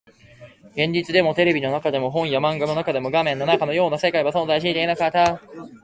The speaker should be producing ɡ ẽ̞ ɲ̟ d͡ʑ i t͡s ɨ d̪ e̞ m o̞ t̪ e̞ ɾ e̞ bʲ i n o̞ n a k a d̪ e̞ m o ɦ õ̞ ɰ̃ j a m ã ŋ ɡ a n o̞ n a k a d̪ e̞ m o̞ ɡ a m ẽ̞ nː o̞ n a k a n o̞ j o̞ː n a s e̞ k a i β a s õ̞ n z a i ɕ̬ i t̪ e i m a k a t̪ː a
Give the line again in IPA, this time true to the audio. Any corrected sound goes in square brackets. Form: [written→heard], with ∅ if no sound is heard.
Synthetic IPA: ɡ ẽ̞ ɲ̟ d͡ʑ i t͡s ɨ d̪ e̞ m o̞ t̪ e̞ ɾ e̞ bʲ i n o̞ n a k a d̪ e̞ m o ɦ õ̞ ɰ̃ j a m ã ŋ ɡ a n o̞ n a k a d̪ e̞ m o̞ ɡ a m ẽ̞ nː o̞ n a k a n o̞ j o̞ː n a s e̞ k a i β a s õ̞ n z a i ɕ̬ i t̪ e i [m→n] a k a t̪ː a